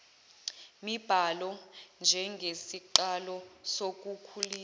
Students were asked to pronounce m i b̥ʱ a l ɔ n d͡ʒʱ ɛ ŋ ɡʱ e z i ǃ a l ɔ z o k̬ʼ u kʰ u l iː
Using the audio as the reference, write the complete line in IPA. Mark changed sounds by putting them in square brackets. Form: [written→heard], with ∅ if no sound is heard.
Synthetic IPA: m i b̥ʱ a l ɔ n d͡ʒʱ ɛ ŋ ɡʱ e [z→s] i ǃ a l ɔ [z→s] o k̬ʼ u kʰ u l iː